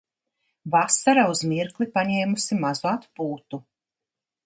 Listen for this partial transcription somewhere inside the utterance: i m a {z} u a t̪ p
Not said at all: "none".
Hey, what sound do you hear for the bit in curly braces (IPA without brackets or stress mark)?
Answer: z